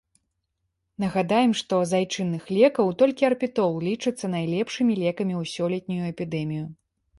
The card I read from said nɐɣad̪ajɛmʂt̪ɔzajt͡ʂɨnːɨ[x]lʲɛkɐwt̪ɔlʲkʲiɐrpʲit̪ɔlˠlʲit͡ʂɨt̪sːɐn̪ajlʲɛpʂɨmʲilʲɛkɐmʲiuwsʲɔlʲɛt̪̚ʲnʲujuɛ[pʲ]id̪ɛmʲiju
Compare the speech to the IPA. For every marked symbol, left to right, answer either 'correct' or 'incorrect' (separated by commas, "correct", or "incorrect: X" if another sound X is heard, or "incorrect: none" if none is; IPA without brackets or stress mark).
correct, correct